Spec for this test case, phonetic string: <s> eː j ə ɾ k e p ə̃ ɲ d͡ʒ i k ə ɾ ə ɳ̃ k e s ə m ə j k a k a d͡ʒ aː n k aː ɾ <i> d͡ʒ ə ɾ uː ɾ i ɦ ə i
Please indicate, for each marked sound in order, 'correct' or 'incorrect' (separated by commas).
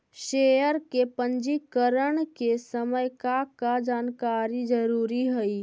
incorrect, correct